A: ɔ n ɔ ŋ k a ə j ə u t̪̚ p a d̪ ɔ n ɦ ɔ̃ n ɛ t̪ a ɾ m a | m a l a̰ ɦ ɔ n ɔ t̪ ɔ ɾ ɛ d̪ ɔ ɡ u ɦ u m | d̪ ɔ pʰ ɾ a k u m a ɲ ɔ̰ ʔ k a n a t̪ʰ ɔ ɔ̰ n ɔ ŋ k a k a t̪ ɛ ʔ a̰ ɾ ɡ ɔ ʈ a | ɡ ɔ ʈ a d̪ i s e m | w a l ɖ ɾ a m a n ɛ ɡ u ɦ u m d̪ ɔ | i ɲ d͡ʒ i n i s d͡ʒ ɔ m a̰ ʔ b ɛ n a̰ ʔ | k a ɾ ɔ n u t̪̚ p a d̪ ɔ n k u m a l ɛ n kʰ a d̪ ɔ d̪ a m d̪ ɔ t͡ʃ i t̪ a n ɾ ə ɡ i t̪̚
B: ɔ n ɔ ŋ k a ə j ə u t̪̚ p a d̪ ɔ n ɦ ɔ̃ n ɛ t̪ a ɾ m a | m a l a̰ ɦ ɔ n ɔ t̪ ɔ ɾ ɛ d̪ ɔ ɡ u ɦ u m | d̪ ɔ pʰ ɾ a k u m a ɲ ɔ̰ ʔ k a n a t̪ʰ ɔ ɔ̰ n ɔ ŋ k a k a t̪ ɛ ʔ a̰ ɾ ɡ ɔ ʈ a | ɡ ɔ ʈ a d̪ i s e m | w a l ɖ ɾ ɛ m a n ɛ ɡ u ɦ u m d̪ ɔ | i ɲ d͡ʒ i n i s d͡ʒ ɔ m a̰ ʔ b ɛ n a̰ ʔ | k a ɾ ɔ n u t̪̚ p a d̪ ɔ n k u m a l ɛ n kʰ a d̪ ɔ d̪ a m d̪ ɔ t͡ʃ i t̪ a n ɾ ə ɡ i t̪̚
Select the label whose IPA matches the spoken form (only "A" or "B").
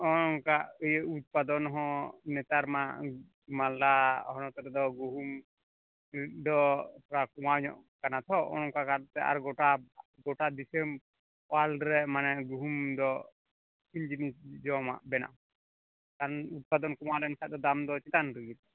B